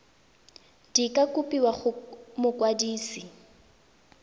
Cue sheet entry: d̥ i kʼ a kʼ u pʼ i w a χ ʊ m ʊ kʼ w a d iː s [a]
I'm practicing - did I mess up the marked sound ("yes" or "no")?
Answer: yes